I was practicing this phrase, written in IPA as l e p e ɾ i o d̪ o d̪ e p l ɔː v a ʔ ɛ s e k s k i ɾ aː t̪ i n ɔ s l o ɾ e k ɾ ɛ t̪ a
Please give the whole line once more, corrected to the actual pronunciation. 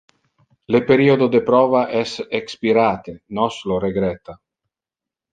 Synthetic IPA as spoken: l e p e ɾ i o d̪ o d̪ e p ɾ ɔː v a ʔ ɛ s e k s p i ɾ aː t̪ e n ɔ s l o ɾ e ɡ ɾ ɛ t̪ a